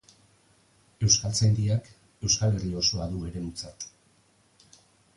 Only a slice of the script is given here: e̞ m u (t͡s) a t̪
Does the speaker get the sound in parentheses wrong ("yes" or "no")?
no